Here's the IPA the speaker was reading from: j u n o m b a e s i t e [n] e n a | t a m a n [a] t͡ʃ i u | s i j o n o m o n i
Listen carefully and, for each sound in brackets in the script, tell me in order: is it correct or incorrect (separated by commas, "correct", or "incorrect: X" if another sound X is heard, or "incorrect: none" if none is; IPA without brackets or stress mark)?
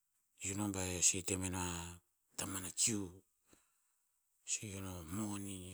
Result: incorrect: m, correct